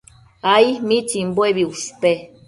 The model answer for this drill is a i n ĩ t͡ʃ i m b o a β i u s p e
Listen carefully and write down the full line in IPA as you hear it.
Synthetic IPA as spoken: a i m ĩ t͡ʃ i m b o e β i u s p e